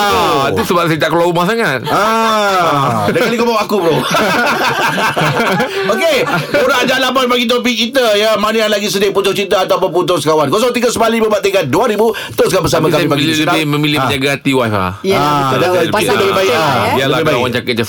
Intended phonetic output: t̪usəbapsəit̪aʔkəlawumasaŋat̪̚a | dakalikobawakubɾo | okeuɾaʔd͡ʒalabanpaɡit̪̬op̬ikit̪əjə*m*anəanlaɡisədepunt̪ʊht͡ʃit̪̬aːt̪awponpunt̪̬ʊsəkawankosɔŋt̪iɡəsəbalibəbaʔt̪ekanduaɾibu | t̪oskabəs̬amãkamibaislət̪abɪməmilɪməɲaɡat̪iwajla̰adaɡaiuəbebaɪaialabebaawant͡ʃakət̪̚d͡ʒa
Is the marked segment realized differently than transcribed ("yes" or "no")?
no